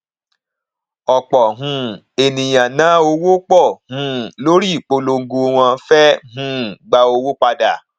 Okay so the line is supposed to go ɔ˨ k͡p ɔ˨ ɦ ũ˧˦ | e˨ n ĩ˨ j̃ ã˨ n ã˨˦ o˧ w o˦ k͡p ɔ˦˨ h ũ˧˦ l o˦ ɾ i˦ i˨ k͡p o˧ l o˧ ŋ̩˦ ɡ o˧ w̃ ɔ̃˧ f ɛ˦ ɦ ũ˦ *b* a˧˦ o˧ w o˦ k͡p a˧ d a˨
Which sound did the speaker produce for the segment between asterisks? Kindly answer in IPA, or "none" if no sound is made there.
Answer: ɡ͡b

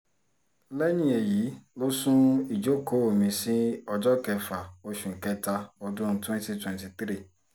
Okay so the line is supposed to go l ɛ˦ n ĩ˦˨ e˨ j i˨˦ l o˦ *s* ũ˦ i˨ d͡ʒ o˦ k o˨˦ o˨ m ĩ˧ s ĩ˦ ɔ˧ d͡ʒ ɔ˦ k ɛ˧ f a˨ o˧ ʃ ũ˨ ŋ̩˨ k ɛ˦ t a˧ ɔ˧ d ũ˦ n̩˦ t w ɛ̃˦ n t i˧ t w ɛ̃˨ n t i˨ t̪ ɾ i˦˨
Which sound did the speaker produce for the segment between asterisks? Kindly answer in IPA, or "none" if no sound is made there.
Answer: s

